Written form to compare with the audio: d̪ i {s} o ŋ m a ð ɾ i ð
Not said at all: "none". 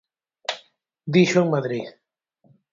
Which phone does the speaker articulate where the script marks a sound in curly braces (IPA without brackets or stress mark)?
ʃ